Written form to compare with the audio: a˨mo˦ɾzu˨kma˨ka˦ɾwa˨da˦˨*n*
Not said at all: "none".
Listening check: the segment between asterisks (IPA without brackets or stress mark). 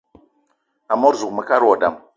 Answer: m